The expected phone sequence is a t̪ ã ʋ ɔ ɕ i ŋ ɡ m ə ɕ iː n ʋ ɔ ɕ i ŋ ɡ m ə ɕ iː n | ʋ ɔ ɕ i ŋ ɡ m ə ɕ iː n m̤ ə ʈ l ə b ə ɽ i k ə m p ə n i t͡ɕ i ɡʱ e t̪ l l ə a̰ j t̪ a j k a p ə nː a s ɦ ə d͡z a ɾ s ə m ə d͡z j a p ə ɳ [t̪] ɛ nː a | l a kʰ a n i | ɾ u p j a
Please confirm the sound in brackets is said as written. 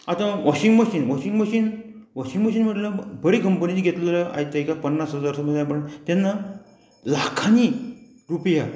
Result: yes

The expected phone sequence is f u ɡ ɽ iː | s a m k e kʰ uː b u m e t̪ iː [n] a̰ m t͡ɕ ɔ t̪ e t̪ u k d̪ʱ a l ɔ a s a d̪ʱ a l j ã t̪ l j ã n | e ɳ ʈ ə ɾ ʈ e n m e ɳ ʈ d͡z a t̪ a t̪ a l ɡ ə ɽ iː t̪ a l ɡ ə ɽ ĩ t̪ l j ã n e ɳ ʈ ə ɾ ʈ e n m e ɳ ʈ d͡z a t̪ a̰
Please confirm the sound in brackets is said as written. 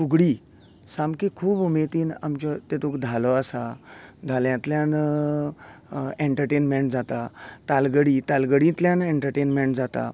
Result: yes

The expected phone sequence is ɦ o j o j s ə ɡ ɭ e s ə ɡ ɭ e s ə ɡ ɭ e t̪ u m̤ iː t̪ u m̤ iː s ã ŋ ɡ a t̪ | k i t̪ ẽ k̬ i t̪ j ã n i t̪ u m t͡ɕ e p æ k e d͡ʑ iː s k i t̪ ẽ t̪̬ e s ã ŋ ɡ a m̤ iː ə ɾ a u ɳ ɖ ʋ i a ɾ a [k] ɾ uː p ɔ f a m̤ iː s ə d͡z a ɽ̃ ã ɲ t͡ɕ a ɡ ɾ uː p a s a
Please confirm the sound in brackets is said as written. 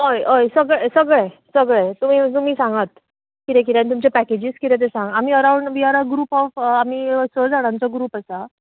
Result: no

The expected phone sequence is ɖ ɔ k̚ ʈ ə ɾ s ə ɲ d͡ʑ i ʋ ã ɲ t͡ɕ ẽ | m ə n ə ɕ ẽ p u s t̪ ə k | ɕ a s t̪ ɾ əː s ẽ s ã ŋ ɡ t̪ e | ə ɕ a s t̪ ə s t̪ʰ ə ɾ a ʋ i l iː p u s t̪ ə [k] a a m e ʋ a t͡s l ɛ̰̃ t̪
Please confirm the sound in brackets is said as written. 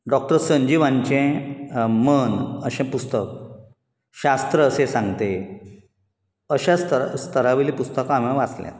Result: yes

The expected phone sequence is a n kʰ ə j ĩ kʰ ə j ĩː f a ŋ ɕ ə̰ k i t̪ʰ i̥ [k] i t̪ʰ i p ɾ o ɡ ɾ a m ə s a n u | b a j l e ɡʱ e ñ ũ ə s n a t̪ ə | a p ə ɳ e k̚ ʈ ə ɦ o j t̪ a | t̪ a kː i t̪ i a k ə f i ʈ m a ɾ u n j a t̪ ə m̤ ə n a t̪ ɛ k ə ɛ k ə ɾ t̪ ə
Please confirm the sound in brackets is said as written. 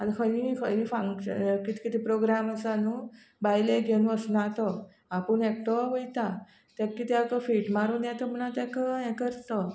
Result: yes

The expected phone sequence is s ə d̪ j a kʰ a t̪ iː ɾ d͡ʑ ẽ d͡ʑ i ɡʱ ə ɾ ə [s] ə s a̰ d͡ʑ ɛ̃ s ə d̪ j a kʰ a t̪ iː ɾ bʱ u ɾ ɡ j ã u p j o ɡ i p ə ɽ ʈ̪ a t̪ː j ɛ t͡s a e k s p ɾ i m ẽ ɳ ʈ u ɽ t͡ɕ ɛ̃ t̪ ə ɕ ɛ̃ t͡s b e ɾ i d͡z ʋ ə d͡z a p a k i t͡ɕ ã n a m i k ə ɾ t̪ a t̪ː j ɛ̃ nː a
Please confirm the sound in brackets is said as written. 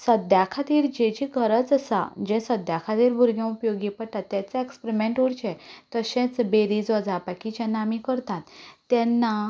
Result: no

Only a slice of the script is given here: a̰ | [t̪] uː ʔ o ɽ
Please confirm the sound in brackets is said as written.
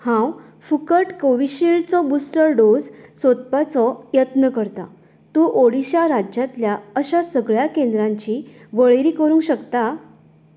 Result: yes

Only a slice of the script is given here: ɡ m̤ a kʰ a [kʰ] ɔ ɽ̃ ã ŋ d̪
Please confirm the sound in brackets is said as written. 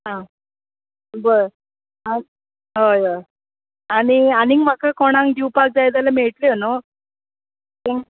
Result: no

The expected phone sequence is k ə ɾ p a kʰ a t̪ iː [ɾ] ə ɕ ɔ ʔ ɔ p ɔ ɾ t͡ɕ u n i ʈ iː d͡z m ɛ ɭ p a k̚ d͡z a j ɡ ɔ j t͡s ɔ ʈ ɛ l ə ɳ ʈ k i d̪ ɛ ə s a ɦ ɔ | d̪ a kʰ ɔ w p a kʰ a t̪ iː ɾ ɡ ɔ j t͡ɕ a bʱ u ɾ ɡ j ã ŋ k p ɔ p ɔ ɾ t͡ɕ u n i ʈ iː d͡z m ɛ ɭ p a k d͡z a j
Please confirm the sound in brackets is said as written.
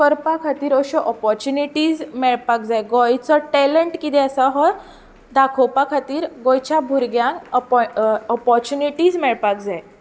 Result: yes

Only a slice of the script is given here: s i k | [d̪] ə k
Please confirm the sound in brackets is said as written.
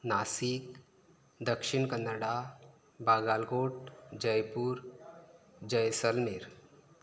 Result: yes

